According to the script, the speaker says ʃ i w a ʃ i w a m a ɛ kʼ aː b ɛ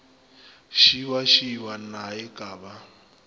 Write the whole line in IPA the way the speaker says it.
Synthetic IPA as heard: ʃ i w a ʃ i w a n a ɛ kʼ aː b a